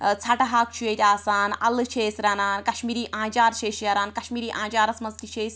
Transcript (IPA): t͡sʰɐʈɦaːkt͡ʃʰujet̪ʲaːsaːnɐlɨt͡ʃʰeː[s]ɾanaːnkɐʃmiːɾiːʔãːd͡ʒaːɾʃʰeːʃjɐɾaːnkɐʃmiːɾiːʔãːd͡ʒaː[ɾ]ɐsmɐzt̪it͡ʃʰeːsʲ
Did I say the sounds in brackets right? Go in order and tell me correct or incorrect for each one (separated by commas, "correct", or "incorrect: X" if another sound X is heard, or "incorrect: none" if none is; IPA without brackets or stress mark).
correct, correct